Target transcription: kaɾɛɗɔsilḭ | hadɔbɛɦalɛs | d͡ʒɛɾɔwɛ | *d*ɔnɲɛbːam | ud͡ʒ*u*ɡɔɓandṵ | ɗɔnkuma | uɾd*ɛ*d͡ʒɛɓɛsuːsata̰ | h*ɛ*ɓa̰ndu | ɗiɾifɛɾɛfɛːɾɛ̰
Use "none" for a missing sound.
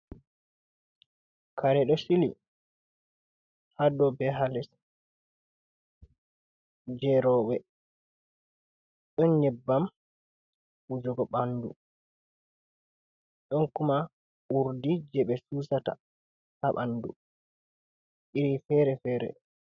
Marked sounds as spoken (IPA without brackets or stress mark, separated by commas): ɗ, ɔ, i, a